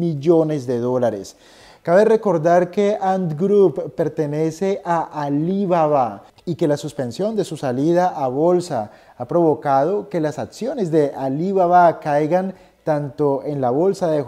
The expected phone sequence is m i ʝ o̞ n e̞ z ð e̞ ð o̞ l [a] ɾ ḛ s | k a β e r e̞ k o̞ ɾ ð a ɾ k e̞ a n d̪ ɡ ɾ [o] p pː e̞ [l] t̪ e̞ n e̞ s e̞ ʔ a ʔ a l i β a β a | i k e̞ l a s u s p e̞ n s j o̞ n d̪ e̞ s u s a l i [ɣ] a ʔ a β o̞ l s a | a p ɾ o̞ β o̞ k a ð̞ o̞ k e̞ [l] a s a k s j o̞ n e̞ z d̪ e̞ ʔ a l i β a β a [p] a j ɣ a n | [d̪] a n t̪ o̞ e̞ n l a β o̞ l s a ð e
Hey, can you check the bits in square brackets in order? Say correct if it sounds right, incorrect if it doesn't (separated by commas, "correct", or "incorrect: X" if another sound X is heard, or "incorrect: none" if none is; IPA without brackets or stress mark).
correct, incorrect: u, incorrect: ɾ, incorrect: ð, correct, incorrect: k, incorrect: t̪